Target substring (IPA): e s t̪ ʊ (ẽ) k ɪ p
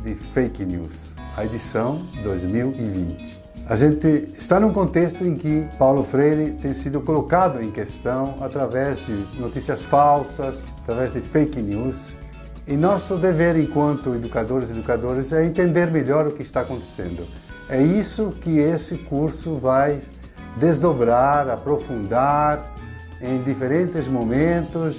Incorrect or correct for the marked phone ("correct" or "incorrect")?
correct